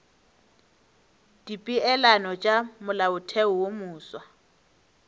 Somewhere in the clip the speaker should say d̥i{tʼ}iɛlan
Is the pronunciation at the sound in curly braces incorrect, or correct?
incorrect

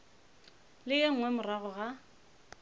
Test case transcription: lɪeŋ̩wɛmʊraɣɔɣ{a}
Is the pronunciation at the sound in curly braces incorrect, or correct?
correct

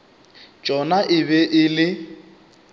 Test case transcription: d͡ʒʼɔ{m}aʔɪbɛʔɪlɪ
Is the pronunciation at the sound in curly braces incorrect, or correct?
incorrect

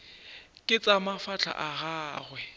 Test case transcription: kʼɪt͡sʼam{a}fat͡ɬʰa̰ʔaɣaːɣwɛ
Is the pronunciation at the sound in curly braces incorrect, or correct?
correct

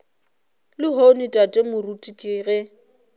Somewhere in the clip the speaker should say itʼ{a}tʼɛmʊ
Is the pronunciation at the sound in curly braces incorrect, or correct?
correct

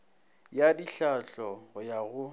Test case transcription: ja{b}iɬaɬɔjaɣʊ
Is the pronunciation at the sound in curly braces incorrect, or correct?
incorrect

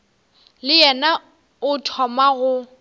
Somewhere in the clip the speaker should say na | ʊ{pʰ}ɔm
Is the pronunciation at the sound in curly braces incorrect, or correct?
incorrect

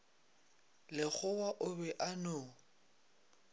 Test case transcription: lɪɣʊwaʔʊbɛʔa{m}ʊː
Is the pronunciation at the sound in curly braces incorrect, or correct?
incorrect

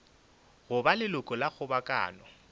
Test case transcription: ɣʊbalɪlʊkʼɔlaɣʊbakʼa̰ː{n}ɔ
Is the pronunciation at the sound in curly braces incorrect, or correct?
correct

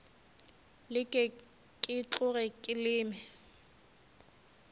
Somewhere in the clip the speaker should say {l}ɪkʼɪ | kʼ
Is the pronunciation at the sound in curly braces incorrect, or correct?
correct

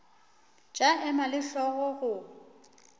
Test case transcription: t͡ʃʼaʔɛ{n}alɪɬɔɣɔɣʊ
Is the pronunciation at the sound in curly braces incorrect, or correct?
incorrect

